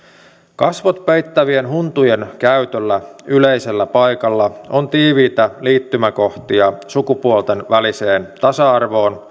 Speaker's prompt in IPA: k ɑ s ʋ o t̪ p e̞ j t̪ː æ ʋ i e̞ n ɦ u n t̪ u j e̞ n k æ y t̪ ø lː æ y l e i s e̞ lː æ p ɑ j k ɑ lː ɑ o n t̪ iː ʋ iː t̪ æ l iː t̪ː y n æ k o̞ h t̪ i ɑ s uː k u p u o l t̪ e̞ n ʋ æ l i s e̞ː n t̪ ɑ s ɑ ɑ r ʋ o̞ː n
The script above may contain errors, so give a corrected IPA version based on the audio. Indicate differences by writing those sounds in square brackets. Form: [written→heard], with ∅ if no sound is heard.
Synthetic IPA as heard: k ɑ s ʋ o t̪ p e̞ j t̪ː æ ʋ i e̞ n ɦ u n t̪ u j e̞ n k æ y t̪ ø lː æ y l e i s e̞ lː æ p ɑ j k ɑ lː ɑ o n t̪ iː ʋ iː t̪ æ l iː t̪ː y [n→m] æ k o̞ h t̪ i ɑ s [uː→u] k u p u o l t̪ e̞ n ʋ æ l i s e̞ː n t̪ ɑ s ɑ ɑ r ʋ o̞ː n